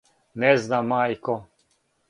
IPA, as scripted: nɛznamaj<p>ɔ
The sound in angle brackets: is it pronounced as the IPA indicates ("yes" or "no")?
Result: no